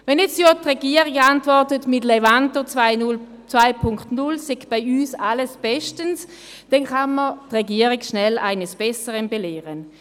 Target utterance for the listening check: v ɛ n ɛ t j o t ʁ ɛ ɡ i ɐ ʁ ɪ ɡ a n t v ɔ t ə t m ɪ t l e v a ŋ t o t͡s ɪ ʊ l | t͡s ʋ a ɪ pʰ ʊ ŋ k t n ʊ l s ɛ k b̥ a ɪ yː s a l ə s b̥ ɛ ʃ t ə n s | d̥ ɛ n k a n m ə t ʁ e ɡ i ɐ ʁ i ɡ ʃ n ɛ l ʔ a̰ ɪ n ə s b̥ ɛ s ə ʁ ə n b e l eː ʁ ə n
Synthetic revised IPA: v ɛ n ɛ t͡s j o t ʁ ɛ ɡ i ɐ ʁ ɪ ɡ a n t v ɔ t ə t m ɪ t l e v a n t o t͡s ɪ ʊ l | t͡s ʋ a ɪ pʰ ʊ ŋ k t n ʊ l s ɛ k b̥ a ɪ yː s a l ə s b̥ ɛ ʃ t ə n s | d̥ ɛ n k a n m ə t ʁ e ɡ i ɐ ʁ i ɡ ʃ n ɛ l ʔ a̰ ɪ n ə s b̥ ɛ s ə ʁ ə n b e l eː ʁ ə n